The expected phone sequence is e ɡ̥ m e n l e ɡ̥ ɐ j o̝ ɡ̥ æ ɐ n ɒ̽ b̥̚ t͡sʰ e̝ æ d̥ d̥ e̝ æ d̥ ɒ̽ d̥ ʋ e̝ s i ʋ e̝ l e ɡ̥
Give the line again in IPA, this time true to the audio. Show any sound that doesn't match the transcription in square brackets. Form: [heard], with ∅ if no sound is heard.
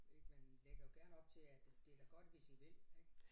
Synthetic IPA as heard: e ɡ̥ m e n l e ɡ̥ ɐ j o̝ ɡ̥ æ ɐ n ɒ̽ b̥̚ t͡sʰ e̝ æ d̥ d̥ e̝ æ [ɡ̥] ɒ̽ d̥ ʋ e̝ s i ʋ e̝ l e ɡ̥